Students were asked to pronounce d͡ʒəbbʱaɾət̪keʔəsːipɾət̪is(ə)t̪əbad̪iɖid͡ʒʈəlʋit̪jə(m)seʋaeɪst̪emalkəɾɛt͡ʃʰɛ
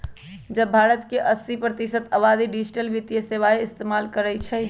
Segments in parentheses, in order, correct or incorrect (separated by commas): correct, incorrect